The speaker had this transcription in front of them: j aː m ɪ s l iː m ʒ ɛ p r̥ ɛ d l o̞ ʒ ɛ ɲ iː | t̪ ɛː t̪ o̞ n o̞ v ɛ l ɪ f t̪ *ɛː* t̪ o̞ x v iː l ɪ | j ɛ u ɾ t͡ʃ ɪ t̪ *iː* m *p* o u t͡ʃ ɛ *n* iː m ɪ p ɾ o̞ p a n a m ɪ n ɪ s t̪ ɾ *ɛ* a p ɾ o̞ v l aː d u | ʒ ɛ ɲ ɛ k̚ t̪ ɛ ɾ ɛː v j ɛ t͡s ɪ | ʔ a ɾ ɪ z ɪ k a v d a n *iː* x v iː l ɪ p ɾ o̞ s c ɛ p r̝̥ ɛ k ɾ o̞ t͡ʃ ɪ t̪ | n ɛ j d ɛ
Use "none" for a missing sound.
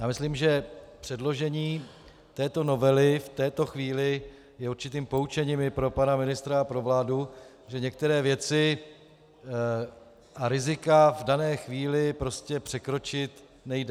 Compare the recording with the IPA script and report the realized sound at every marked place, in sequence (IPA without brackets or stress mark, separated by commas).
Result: ɛː, iː, p, ɲ, a, ɛː